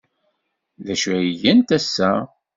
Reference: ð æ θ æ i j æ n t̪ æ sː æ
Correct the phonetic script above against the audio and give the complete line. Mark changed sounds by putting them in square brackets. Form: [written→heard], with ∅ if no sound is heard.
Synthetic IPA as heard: ð æ [θ→ʃ] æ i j æ n t̪ æ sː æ